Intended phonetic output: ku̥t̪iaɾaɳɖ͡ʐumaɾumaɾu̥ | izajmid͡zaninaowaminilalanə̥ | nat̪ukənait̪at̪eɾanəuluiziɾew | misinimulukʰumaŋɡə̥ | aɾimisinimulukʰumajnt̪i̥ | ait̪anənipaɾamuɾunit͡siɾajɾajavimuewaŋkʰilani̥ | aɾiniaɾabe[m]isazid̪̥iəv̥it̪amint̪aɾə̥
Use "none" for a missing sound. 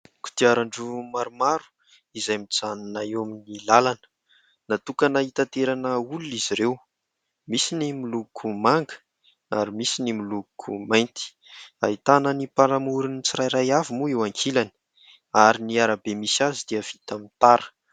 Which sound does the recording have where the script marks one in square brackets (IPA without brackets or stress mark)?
m